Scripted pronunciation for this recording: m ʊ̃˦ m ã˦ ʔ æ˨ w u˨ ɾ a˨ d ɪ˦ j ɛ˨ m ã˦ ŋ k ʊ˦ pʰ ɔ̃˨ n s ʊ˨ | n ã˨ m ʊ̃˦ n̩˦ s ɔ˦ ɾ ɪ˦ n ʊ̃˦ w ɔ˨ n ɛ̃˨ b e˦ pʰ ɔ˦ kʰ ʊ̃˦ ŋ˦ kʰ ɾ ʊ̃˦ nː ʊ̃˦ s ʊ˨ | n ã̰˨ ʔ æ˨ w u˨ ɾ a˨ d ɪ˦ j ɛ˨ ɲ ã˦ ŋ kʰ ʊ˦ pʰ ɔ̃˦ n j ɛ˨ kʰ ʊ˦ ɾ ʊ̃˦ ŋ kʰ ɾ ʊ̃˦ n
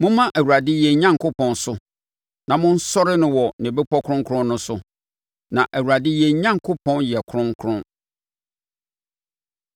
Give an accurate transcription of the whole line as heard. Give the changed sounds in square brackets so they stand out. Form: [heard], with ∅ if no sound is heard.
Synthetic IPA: m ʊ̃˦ m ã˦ ʔ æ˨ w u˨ ɾ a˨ d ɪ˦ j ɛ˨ [ɲ] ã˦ ŋ k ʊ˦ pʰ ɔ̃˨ n s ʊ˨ | n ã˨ m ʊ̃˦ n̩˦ s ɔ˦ ɾ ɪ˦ n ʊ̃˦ w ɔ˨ n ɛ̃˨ b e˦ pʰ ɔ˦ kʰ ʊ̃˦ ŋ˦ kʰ ɾ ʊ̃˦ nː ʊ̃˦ s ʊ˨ | n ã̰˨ ʔ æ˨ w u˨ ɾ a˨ d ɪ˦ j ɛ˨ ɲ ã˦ ŋ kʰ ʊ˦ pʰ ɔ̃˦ n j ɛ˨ kʰ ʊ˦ ɾ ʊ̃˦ ŋ kʰ ɾ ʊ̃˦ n